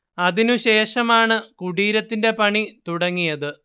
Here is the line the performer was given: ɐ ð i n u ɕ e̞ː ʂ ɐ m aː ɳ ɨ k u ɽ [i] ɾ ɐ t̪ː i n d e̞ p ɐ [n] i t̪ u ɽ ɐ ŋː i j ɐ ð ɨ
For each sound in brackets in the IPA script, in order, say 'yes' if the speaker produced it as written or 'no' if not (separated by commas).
no, no